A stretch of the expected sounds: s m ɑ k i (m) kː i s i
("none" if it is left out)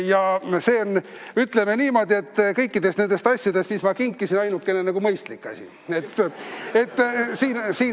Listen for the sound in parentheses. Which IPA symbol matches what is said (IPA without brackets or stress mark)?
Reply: ŋ